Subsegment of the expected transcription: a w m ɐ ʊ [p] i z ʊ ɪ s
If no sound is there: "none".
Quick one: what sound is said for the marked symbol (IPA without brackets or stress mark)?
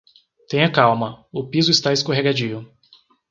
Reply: p